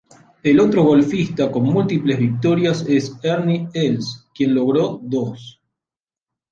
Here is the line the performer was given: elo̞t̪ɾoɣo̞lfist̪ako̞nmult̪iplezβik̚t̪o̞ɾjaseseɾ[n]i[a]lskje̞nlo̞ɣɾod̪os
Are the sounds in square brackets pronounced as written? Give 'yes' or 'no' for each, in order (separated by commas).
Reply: yes, no